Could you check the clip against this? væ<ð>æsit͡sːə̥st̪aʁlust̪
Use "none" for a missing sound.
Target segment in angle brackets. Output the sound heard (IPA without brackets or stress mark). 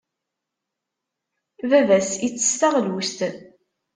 v